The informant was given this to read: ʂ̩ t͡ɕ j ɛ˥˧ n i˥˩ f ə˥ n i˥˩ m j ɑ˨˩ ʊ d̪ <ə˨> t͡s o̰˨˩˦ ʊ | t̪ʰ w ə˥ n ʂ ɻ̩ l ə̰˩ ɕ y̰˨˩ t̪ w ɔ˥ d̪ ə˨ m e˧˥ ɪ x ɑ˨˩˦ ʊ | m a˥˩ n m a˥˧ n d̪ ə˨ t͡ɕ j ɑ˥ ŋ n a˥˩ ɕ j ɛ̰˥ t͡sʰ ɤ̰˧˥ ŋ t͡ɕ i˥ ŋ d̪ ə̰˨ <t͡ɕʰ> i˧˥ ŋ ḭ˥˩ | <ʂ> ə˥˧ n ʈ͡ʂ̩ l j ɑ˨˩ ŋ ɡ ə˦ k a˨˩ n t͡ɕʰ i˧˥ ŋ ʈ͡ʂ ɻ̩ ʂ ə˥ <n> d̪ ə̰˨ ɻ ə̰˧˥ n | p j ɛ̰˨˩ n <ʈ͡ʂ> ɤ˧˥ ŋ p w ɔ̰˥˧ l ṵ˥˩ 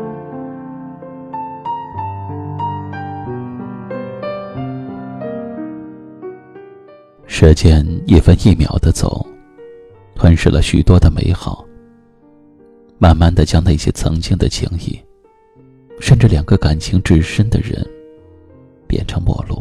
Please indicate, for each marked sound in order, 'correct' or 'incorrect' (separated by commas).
incorrect, correct, correct, correct, incorrect